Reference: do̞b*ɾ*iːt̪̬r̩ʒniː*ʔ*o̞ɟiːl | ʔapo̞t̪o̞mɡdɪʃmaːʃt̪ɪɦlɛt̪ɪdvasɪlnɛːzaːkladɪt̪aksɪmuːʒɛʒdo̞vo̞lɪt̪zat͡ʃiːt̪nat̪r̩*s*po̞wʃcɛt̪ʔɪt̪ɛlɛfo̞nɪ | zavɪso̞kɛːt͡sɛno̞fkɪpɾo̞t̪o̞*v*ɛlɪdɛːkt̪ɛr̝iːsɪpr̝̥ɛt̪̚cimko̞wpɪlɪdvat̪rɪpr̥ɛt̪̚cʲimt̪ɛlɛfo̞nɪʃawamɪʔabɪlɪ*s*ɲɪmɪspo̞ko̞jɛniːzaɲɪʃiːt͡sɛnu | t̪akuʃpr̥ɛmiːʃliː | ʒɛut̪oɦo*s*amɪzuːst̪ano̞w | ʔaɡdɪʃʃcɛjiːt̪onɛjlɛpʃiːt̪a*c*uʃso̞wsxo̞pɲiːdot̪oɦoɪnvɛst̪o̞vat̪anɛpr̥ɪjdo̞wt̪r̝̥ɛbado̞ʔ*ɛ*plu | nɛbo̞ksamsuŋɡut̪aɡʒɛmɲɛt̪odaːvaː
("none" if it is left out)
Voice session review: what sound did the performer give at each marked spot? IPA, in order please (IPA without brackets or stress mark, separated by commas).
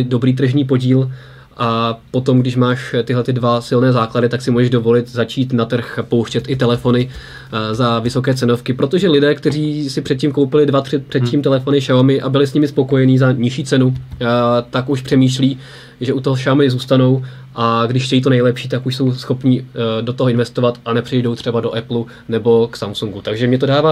ɾ, p, x, ʒ, s, ʃ, k, ɛ